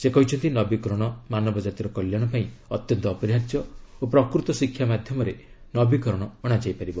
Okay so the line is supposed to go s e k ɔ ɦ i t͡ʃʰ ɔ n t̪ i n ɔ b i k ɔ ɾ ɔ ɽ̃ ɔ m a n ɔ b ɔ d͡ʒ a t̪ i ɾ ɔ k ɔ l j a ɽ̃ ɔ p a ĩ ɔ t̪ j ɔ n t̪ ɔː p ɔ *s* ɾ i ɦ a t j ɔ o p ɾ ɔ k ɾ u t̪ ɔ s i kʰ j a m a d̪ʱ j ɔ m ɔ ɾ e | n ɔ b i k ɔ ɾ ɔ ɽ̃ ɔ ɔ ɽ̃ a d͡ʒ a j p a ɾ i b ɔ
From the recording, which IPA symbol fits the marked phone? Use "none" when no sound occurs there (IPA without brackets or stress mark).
none